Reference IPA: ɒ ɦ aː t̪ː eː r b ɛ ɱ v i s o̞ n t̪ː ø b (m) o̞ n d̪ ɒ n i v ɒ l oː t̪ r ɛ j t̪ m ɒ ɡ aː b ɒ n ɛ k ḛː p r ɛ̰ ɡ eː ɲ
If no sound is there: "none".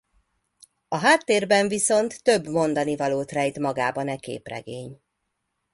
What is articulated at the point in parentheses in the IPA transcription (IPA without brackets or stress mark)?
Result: m